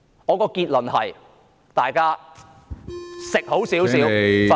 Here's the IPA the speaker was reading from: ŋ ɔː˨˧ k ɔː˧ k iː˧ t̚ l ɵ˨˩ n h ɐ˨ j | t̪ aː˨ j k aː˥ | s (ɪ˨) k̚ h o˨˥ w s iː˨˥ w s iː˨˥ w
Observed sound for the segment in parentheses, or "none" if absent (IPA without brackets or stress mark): ɪ˨